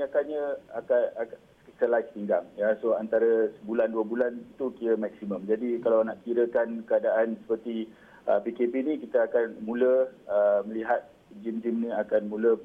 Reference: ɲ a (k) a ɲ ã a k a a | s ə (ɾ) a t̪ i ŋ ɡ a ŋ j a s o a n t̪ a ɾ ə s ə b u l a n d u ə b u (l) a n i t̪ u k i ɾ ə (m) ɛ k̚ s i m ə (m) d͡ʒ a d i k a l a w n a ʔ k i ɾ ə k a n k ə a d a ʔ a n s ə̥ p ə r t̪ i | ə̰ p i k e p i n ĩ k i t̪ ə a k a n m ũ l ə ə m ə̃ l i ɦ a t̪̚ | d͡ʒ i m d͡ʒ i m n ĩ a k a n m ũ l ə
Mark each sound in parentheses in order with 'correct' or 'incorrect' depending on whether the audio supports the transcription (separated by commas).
correct, incorrect, correct, correct, correct